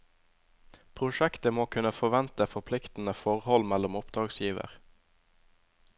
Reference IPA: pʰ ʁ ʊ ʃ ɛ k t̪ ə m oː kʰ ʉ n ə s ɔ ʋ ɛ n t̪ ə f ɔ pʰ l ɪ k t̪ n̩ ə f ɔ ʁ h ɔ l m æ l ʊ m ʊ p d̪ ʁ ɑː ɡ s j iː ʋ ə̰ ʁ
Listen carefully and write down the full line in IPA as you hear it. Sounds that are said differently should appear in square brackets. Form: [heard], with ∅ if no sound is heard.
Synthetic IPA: pʰ ʁ ʊ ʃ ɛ k t̪ ə m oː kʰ ʉ n ə [f] ɔ ʋ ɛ n t̪ ə f ɔ pʰ l ɪ k t̪ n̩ ə f ɔ ʁ h ɔ l m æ l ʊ m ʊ p d̪ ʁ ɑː ɡ s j iː ʋ ə̰ ʁ